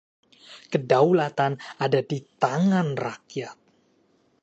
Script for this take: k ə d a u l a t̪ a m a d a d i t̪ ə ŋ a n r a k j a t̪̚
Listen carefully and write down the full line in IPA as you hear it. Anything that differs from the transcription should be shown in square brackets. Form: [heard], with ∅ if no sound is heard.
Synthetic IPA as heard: k ə d a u l a t̪ a [n] a d a d i t̪ [a] ŋ a n r a k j a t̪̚